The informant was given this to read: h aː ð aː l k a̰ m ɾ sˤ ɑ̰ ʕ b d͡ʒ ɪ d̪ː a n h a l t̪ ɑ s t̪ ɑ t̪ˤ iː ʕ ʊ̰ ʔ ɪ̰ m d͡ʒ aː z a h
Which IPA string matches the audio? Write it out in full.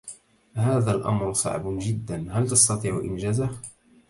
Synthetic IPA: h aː ð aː l ʔ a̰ m ɾ sˤ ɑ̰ ʕ b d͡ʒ ɪ d̪ː a n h a l t̪ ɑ s t̪ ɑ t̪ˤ iː ʕ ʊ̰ ʔ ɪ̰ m d͡ʒ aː z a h